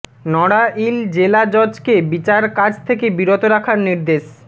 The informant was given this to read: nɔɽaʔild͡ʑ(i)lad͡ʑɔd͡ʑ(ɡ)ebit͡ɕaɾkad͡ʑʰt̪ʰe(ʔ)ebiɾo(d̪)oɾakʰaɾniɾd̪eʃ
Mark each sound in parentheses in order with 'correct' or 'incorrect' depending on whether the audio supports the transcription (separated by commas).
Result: incorrect, incorrect, incorrect, incorrect